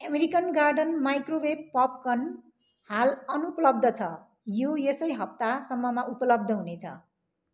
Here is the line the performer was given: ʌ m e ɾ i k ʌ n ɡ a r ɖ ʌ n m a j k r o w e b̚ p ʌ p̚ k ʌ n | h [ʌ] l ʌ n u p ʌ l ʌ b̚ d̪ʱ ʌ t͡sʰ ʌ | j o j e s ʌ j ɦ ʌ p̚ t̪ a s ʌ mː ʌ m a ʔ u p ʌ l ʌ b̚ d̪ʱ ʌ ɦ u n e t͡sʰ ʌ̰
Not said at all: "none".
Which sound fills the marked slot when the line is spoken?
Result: a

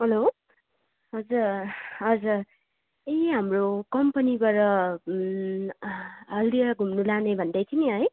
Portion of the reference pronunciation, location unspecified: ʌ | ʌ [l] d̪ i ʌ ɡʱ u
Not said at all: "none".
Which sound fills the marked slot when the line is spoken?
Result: l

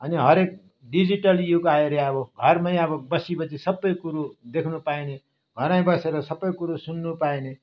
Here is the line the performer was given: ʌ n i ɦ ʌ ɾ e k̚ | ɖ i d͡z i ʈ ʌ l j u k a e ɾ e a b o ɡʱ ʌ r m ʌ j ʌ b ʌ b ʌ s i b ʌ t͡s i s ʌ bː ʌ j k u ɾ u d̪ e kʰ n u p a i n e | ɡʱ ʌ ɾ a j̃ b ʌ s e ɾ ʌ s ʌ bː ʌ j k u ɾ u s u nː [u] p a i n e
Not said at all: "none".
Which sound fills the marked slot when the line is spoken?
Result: u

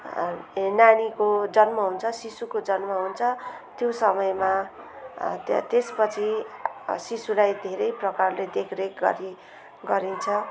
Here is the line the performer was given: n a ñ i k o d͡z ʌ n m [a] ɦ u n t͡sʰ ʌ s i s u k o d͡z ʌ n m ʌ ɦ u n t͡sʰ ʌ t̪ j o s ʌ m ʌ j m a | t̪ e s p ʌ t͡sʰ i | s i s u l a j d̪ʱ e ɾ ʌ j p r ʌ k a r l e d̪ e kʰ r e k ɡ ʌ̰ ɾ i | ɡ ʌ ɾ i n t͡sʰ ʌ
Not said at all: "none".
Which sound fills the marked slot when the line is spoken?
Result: ʌ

